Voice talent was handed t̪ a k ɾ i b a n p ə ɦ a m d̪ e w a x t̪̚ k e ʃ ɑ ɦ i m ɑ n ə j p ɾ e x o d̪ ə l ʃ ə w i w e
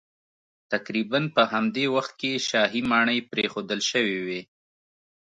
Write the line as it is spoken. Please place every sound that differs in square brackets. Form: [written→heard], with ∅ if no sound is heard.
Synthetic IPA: t̪ a k ɾ i b a n p ə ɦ a m d̪ e w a x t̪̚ k e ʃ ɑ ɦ i m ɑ [n→ɳ] ə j p ɾ e x o d̪ ə l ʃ ə w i w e